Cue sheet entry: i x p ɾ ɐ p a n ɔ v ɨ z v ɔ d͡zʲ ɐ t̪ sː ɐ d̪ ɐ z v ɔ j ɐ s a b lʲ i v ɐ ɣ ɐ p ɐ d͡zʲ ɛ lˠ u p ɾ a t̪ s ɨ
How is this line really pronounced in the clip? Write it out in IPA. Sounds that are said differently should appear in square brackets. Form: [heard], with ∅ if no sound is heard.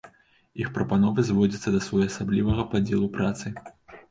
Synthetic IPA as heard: i x p ɾ ɐ p a n ɔ v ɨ z v ɔ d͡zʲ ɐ t̪ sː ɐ d̪ ɐ [s] v ɔ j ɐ s a b lʲ i v ɐ ɣ ɐ p [a] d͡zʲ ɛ lˠ u p ɾ a t̪ s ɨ